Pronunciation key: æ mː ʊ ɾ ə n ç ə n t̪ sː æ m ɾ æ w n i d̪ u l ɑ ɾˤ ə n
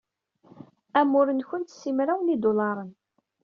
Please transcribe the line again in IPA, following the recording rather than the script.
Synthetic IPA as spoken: æ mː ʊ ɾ ə n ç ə n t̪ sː i m ɾ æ w n i d̪ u l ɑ ɾˤ ə n